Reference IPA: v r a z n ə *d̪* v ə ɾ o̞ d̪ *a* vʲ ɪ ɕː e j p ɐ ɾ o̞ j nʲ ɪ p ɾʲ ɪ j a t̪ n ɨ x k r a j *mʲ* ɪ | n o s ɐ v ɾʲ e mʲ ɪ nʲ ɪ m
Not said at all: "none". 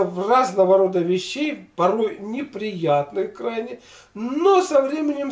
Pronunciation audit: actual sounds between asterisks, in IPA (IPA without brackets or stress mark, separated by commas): none, ə, nʲ